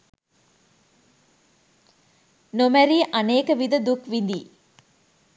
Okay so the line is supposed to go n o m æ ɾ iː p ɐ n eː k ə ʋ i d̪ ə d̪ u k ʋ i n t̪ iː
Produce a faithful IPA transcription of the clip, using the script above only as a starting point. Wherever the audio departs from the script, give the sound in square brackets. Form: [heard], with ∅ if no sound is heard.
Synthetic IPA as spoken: n o m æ ɾ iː [ʔ] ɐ n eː k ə ʋ i d̪ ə d̪ u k ʋ i n [d̪] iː

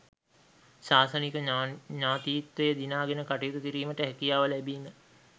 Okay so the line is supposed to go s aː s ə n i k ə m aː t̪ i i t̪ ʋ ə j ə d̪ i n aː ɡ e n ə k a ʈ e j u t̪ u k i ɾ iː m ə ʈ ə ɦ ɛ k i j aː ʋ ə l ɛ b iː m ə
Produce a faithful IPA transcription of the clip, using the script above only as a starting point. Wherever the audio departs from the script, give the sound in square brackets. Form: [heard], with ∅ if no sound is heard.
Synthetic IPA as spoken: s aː s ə n i k ə [ɲ] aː t̪ i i t̪ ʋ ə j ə d̪ i n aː ɡ e n ə k a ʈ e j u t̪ u k i ɾ iː m ə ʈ ə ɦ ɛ k i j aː ʋ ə l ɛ b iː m ə

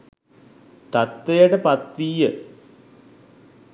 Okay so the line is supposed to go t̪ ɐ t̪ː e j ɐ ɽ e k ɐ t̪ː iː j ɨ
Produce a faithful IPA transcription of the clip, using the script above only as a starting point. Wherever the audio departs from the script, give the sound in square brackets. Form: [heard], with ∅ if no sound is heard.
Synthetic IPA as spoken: t̪ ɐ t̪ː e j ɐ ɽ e [p] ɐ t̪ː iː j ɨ

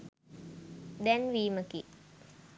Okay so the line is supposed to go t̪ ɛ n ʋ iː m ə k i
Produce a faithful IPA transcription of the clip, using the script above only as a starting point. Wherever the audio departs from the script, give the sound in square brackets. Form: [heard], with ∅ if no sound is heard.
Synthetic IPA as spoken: [d̪] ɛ n ʋ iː m ə k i

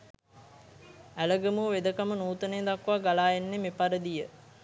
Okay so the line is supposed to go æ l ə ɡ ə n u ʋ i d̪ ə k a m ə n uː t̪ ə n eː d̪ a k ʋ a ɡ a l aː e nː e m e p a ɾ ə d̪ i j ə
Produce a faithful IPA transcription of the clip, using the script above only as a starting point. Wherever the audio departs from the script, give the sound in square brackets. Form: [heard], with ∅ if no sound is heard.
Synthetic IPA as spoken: æ l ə ɡ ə [m] u ʋ [e] d̪ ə k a m ə n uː t̪ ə n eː d̪ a k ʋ a ɡ a l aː e nː e m e p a ɾ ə d̪ i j ə

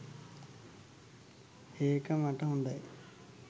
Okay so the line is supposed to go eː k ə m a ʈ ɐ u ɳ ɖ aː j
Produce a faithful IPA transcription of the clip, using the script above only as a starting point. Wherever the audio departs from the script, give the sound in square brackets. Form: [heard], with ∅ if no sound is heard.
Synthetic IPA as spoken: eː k [ɐ] m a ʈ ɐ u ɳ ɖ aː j

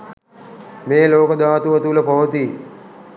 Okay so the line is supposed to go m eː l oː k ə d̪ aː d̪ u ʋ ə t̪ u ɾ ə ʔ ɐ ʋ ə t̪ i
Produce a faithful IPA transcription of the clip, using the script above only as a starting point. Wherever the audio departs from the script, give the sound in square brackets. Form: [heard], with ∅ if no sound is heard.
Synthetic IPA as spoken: m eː l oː k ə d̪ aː [t̪] u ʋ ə t̪ u [l] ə [p] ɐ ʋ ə t̪ i

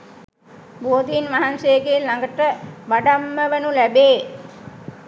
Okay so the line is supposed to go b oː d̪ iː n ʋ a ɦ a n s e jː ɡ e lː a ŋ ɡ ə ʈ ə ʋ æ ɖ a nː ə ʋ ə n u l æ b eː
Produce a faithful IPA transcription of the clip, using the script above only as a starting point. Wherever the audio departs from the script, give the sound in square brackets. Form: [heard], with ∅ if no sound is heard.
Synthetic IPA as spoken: b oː d̪ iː n ʋ a ɦ a n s e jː ɡ e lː a ŋ ɡ ə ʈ ə ʋ [a] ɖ a [mː] ə ʋ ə n u l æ b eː

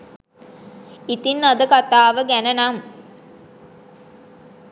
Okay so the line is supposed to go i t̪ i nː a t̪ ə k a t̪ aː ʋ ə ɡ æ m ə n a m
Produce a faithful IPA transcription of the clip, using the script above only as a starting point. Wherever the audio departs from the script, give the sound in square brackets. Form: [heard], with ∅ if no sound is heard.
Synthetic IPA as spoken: i t̪ i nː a [d̪] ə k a t̪ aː ʋ ə ɡ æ [n] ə n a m

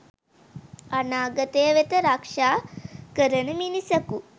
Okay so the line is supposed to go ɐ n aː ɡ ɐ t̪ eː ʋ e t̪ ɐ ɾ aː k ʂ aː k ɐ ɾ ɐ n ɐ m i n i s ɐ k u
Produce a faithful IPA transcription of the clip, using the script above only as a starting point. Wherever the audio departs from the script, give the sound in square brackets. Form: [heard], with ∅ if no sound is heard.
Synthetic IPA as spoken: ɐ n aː ɡ ɐ t̪ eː ʋ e t̪ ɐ ɾ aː k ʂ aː k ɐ ɾ ɐ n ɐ m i n i s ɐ k u

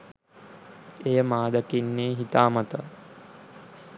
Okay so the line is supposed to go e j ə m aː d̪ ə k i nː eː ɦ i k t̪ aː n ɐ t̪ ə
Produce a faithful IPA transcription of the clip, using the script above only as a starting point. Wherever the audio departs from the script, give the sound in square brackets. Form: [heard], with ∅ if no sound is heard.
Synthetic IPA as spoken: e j ə m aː d̪ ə k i nː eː ɦ i [∅] t̪ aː [m] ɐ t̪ ə

